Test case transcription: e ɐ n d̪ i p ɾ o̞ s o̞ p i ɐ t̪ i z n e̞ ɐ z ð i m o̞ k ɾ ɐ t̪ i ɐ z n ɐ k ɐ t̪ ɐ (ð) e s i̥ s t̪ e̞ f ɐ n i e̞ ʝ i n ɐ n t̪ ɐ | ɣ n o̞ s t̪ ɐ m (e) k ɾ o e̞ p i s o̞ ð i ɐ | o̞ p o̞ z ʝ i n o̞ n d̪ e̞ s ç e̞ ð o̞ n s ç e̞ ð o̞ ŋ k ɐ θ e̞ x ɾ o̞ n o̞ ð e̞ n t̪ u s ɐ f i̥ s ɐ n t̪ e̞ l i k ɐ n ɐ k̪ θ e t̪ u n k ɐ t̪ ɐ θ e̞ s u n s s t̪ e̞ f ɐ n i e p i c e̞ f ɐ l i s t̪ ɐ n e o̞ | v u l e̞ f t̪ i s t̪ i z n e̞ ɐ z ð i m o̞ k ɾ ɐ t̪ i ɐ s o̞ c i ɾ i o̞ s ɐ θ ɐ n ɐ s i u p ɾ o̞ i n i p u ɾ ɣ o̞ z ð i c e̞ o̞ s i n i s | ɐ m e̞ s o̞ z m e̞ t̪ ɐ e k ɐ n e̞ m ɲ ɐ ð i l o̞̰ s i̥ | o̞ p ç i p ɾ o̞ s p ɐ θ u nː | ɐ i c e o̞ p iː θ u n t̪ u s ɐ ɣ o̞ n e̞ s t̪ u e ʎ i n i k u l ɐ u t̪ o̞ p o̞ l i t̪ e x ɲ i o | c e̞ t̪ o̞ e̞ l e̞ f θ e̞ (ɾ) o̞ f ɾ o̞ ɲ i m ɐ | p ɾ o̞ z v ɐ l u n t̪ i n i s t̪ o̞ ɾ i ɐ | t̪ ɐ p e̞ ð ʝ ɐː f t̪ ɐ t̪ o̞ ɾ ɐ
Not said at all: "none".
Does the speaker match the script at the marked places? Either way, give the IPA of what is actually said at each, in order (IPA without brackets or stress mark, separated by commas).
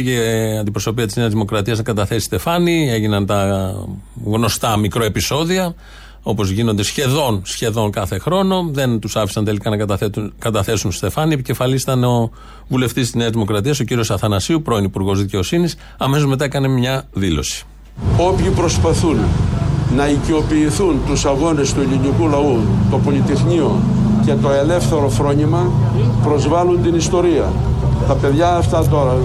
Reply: θ, i, ɾ